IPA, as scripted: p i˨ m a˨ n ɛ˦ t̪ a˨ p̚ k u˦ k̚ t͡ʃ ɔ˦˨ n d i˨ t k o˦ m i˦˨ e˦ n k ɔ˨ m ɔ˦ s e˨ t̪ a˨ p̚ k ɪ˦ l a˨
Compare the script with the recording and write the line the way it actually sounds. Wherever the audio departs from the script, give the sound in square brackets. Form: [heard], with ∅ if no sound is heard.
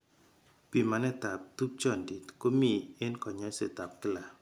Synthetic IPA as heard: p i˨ m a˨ n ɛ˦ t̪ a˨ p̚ [t] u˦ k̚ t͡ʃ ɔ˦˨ n d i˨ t k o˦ m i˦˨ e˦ n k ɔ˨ [ɲ] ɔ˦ s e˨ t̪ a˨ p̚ k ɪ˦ l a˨